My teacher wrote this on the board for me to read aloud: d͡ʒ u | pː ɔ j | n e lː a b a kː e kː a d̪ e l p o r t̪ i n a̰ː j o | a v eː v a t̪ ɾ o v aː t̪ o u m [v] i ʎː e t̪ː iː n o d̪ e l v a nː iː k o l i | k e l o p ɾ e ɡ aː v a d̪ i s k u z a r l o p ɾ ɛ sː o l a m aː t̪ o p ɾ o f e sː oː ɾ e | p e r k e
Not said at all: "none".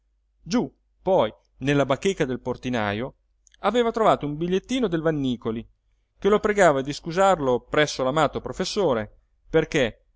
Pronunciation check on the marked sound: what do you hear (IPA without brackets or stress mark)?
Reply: b